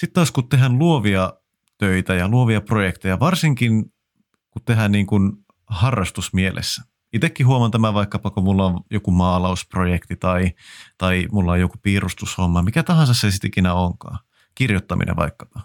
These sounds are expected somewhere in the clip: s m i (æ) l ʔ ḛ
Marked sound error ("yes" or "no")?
yes